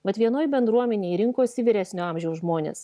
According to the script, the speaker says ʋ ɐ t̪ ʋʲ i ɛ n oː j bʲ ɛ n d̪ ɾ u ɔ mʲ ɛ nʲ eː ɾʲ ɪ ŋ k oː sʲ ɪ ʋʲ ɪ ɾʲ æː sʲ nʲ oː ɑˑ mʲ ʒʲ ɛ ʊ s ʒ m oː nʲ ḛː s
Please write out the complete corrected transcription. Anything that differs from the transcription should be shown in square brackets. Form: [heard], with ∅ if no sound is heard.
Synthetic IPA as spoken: ʋ ɐ t̪ ʋʲ i ɛ n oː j bʲ ɛ n d̪ ɾ u ɔ mʲ ɛ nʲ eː ɾʲ ɪ ŋ k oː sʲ ɪ ʋʲ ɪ ɾʲ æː sʲ nʲ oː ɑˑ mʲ ʒʲ ɛ ʊ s ʒ m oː nʲ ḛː s